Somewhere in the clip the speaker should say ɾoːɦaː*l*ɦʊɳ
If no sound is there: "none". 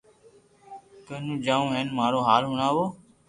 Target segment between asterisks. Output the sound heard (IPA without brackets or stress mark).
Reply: l